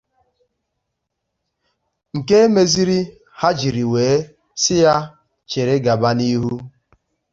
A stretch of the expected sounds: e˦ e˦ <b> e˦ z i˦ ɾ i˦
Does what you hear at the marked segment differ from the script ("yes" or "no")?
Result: yes